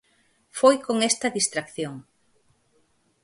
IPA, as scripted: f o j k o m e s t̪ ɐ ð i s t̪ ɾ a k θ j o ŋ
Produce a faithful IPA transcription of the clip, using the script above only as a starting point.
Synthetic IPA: f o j k o ŋ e s t̪ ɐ ð i s t̪ ɾ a k θ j o ŋ